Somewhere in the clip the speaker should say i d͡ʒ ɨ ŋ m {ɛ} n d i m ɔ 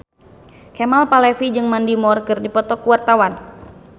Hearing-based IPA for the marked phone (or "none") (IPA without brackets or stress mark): a